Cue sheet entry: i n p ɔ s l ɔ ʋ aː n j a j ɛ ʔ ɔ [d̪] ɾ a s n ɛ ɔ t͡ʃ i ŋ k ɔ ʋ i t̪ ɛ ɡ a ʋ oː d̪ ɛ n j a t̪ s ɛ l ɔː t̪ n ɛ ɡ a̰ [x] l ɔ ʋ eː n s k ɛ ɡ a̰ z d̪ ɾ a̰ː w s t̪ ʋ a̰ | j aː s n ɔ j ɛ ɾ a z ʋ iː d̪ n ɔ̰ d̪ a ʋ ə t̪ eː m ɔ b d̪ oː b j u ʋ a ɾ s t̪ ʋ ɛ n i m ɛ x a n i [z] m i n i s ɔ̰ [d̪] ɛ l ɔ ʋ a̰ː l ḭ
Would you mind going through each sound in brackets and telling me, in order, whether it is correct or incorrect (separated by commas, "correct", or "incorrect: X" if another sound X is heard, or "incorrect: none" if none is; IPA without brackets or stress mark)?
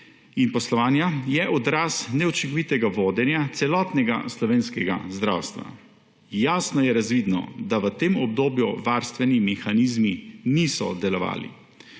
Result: correct, incorrect: s, correct, correct